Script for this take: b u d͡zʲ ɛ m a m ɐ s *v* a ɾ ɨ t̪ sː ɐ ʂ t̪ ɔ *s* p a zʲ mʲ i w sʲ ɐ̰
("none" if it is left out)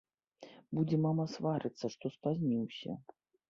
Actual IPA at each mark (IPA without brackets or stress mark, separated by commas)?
v, s